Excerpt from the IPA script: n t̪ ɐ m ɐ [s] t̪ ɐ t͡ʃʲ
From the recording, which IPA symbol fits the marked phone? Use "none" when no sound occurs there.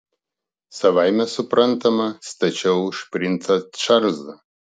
s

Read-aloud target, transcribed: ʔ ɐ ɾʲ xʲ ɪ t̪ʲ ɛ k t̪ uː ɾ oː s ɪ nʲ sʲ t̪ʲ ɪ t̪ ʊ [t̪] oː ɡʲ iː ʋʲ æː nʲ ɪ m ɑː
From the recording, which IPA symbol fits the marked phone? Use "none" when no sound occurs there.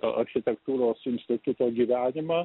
t̪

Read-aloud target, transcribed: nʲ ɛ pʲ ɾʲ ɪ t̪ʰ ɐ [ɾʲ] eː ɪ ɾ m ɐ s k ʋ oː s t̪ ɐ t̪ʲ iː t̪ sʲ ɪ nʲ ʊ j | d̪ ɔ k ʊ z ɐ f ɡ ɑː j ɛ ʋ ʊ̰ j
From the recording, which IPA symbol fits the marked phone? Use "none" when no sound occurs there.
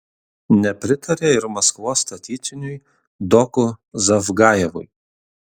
ɾʲ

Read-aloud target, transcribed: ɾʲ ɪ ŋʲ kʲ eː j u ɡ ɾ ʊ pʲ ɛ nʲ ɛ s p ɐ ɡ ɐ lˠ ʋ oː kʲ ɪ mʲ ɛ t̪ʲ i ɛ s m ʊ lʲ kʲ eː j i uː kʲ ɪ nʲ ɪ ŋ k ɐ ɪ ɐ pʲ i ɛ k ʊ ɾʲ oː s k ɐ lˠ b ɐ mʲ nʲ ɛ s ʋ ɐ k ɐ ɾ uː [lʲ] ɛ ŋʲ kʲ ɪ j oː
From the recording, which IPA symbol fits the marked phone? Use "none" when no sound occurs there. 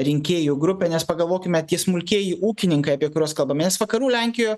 lʲ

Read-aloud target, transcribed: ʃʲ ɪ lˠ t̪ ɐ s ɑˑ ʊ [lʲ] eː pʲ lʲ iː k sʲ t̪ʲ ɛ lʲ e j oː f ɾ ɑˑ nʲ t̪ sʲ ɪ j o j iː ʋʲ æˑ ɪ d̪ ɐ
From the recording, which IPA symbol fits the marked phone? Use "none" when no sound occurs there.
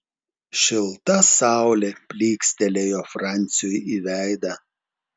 lʲ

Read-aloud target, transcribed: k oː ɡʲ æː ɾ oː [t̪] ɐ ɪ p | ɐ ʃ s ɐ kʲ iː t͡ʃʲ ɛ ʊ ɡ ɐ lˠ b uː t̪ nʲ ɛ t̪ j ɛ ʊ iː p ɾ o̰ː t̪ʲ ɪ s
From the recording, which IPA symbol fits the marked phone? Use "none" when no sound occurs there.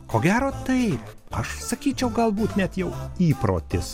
t̪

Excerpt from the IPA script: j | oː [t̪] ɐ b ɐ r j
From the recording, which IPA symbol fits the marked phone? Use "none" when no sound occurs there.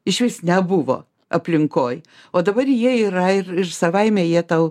d̪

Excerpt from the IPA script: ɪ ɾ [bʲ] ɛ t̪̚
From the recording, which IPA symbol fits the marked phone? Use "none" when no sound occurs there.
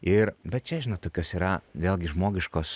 bʲ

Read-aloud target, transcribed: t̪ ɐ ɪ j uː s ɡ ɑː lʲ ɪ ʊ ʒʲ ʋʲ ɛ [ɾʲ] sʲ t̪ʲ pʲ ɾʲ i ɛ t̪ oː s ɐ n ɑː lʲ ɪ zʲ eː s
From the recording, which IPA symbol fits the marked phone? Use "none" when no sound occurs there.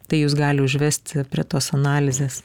none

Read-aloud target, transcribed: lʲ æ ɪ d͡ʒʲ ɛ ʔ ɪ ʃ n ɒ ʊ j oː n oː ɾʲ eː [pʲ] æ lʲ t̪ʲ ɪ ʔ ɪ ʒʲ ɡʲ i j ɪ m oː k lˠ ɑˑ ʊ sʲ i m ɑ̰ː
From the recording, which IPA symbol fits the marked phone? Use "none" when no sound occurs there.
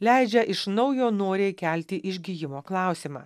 kʲ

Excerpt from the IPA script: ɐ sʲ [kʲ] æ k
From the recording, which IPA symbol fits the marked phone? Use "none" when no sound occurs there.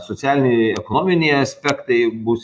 pʲ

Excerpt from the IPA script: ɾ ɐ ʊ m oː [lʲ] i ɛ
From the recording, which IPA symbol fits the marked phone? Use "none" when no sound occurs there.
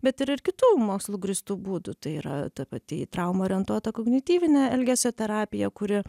ɾʲ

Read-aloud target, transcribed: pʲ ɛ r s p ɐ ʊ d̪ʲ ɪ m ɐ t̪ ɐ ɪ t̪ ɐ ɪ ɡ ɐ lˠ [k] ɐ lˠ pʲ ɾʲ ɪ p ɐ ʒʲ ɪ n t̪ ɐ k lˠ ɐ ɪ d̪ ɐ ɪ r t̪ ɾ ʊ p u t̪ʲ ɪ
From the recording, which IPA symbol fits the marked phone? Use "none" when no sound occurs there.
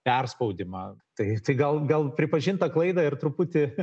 ɡ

